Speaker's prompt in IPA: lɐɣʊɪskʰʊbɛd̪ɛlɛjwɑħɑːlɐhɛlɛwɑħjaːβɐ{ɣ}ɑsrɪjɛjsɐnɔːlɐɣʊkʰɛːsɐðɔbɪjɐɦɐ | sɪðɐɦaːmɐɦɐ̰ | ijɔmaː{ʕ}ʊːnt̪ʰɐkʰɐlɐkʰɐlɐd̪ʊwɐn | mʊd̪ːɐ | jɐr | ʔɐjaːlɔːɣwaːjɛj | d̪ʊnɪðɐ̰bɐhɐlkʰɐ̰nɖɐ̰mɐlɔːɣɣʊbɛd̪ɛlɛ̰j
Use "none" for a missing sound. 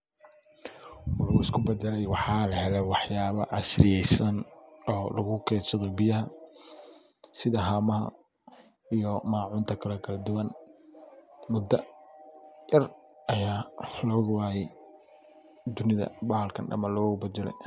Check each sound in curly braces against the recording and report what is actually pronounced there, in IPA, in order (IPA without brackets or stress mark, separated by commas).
ʕ, ʕ